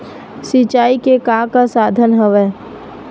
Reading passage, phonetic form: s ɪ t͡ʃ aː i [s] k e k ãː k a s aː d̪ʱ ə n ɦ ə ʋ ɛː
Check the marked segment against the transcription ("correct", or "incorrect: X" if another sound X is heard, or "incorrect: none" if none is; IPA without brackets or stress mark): incorrect: none